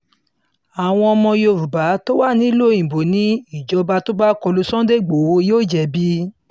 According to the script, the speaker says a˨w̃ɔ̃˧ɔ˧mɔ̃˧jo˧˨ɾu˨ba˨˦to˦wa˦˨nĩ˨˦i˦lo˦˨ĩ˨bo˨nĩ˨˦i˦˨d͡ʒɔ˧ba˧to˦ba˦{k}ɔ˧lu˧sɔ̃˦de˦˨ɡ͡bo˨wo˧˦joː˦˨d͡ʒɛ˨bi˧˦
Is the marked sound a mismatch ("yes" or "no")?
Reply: no